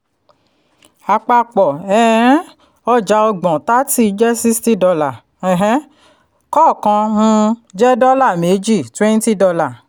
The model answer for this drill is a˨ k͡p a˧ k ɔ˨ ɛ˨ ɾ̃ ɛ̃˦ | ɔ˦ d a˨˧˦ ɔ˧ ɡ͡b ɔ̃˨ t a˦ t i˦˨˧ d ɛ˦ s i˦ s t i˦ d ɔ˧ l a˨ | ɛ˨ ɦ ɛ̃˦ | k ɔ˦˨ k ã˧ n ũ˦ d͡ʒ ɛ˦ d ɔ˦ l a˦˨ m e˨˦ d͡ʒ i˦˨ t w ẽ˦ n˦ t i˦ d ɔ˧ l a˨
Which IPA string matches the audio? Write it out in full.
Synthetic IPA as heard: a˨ k͡p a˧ k͡p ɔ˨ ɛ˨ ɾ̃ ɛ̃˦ | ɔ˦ d͡ʒ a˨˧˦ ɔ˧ ɡ͡b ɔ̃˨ t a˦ t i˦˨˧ d͡ʒ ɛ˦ s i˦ s t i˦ d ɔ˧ l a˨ | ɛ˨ ɦ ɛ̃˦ | k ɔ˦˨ k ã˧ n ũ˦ d͡ʒ ɛ˦ d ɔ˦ l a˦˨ m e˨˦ d͡ʒ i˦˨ t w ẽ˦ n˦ t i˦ d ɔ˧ l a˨